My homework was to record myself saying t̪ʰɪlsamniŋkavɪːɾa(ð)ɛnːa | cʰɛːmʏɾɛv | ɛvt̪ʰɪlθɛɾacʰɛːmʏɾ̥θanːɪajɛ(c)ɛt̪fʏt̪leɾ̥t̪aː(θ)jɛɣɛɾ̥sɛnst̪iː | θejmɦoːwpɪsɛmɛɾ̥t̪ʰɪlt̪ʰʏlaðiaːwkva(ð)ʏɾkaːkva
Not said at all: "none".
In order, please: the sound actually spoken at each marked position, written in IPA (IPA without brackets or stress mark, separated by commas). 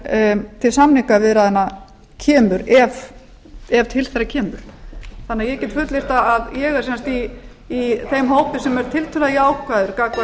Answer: ð, c, ð, ð